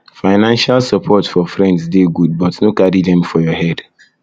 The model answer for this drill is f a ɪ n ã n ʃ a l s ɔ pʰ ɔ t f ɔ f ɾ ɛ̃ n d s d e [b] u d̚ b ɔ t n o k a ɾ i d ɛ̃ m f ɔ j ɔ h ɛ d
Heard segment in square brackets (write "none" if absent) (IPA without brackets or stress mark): ɡ